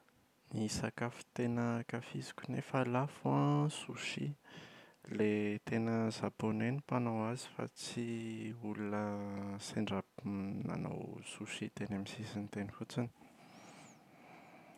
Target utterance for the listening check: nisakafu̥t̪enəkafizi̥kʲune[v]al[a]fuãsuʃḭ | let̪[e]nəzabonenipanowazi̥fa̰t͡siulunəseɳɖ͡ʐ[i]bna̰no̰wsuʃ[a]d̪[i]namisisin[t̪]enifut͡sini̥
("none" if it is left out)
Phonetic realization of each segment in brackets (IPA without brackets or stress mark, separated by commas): f, a, e, a, i, e, t̪